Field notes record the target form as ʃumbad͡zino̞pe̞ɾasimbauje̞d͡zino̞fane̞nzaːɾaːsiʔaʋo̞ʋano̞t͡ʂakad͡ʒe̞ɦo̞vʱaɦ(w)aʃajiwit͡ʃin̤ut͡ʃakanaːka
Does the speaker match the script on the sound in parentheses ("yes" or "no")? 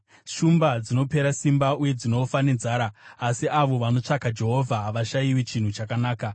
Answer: no